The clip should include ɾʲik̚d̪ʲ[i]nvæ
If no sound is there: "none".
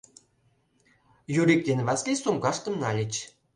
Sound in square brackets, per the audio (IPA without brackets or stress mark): e